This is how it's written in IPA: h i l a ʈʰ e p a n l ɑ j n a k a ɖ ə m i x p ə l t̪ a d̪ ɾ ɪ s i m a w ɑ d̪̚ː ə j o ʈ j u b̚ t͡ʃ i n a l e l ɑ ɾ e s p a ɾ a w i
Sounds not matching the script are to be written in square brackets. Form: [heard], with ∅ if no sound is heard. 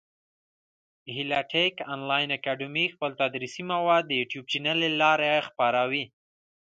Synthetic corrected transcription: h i l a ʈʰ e [k] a n l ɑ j n a k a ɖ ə m i x p ə l t̪ a d̪ ɾ [i] s i m a w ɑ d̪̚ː ə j [u] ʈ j u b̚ t͡ʃ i n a l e l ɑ ɾ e [x] p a ɾ a w i